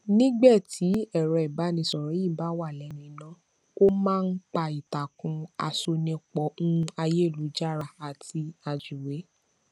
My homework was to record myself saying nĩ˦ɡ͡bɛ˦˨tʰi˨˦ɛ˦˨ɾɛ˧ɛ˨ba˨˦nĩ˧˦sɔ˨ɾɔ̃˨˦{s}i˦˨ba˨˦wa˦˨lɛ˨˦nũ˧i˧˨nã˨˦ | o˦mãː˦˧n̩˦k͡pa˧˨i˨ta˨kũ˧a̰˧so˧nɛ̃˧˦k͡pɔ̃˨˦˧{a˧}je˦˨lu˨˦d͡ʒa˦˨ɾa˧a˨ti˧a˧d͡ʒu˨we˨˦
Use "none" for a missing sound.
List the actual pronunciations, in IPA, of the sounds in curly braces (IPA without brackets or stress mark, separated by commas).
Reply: none, a˧